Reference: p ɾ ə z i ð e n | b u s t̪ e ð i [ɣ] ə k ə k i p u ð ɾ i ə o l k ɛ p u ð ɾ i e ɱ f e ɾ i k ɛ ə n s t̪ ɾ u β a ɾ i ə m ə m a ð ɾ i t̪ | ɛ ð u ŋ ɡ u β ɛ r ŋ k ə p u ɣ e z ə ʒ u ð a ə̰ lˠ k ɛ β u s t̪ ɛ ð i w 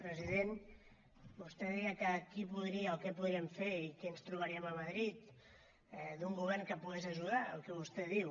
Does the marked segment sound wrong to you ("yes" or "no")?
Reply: no